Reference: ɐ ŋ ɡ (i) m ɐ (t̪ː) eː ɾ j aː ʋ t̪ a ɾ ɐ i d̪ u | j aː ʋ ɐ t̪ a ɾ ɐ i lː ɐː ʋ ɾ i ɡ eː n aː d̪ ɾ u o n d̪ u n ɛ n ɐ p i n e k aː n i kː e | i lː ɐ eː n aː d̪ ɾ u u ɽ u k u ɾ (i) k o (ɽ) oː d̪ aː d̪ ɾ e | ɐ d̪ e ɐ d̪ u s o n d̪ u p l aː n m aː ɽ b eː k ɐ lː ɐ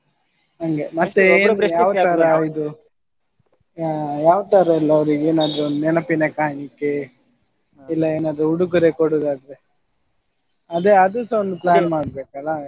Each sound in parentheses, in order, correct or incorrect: incorrect, correct, incorrect, correct

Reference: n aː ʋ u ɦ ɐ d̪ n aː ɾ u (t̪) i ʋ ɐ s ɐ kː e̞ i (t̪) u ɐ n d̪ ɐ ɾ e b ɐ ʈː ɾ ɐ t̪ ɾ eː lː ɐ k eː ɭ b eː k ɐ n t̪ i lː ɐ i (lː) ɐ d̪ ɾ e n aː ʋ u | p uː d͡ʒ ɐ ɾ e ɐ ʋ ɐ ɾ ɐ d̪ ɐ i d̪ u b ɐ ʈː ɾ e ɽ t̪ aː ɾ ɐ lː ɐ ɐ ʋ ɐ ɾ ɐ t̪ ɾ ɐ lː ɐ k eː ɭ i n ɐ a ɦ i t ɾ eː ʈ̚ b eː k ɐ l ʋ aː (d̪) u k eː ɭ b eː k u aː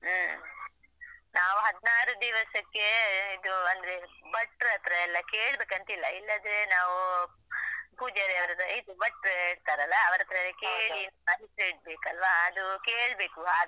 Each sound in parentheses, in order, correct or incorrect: incorrect, incorrect, correct, correct

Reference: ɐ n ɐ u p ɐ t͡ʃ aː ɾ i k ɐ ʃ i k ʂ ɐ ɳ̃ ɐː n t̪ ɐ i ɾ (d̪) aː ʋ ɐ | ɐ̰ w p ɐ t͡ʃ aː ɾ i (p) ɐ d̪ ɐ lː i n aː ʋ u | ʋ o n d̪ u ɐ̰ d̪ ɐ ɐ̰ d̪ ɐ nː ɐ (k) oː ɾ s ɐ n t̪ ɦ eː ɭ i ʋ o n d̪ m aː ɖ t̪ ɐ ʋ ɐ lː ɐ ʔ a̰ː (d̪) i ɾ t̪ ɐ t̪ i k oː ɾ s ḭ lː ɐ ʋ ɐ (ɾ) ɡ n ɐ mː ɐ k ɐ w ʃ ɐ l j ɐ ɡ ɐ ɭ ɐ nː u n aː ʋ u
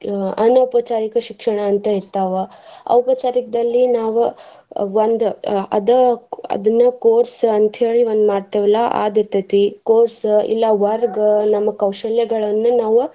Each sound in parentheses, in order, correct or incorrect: incorrect, incorrect, correct, correct, correct

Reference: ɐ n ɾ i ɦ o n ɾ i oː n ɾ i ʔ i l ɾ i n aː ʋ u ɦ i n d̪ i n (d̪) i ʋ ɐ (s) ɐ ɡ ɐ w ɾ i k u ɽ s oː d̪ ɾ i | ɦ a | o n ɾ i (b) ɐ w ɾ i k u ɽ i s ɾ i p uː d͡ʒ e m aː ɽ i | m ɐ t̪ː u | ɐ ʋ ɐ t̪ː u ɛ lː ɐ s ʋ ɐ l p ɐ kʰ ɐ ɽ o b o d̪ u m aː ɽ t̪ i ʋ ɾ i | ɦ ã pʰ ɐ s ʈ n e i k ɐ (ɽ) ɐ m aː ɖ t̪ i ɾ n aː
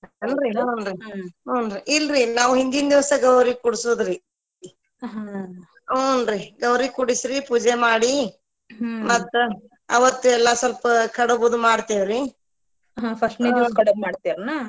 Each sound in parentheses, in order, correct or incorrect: correct, correct, incorrect, correct

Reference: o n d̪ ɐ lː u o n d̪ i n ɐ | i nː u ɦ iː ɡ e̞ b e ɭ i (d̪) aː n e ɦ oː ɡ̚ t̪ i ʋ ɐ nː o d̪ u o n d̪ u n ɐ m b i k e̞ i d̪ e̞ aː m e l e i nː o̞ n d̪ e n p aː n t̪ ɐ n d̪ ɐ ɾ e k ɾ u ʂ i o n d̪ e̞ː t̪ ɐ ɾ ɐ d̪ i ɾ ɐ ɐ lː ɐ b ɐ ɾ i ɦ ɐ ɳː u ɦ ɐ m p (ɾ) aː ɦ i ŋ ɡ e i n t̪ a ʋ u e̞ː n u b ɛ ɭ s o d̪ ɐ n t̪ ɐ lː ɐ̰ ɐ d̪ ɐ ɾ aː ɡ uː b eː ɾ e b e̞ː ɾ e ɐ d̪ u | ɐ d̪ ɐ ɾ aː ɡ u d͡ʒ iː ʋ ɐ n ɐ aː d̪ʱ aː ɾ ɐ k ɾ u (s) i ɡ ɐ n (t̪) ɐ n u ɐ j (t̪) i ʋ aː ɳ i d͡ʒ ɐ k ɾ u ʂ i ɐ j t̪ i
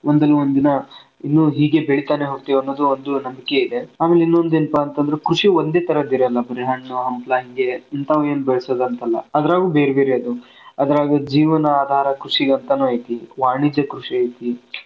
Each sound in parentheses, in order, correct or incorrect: incorrect, incorrect, incorrect, correct, correct

